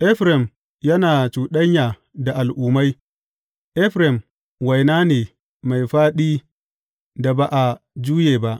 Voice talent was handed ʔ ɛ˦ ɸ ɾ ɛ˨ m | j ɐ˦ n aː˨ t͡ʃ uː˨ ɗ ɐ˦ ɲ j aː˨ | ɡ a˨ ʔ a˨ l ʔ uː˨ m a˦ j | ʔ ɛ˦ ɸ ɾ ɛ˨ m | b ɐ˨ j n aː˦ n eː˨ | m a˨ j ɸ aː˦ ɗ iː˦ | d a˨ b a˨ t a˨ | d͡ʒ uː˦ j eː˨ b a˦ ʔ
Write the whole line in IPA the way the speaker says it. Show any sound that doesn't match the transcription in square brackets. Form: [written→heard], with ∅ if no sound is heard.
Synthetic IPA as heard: ʔ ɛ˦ ɸ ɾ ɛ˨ m | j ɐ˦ n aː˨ t͡ʃ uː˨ ɗ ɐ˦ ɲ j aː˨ | [ɡ→d] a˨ ʔ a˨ l ʔ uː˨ m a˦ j | ʔ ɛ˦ ɸ ɾ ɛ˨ m | [b→w] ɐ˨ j n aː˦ n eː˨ | m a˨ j ɸ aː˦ ɗ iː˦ | d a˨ b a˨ [t→ʔ] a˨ | d͡ʒ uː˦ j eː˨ b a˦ ʔ